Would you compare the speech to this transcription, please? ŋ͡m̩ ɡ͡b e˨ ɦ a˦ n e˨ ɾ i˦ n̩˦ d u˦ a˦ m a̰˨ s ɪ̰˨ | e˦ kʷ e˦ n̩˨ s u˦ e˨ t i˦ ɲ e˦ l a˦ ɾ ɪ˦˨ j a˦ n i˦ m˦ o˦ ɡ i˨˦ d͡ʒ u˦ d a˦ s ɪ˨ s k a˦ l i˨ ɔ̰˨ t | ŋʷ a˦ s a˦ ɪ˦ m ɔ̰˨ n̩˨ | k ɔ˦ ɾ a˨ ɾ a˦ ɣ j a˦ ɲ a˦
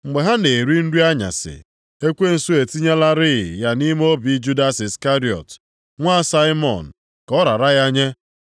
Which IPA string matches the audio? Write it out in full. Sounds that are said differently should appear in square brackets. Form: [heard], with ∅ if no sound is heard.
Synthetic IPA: ŋ͡m̩ ɡ͡b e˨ ɦ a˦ n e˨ ɾ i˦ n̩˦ d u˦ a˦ [ɲ] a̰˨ s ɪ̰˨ | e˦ kʷ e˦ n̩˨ s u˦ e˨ t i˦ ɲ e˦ l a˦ ɾ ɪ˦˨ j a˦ n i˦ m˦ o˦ [b] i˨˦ d͡ʒ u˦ d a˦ s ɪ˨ s k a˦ [ɾ] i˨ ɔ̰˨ t | ŋʷ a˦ s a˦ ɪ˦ m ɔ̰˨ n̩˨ | k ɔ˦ ɾ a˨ ɾ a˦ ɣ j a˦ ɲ [e˦]